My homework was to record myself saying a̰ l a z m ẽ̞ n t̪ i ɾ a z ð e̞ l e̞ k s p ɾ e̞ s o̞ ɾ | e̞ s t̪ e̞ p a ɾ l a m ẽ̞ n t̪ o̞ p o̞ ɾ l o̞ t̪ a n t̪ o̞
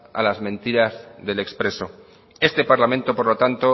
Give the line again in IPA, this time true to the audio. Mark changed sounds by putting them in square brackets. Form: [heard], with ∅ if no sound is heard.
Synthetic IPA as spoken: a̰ l a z m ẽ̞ n t̪ i ɾ a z ð e̞ l e̞ k s p ɾ e̞ s o̞ [∅] | e̞ s t̪ e̞ p a ɾ l a m ẽ̞ n t̪ o̞ p o̞ ɾ l o̞ t̪ a n t̪ o̞